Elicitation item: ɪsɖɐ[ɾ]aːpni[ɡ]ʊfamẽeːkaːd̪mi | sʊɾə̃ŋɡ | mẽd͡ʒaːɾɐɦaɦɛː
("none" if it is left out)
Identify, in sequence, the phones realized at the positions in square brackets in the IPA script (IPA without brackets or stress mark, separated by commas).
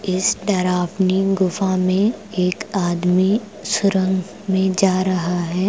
ɾ, ɡ